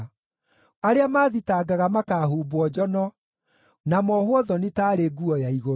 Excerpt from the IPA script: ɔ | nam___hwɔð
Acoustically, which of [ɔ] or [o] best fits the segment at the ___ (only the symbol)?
ɔ